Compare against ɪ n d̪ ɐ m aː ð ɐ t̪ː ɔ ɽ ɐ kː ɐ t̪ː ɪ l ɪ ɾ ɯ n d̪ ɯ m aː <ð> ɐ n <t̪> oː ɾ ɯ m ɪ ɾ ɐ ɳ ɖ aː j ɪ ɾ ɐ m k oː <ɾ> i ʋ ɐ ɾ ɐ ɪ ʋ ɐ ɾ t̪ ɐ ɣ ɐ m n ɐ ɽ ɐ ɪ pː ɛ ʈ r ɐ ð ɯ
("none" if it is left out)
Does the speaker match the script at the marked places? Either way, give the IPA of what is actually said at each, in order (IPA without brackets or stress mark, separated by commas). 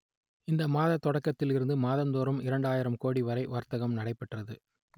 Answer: ð, d̪, ɽ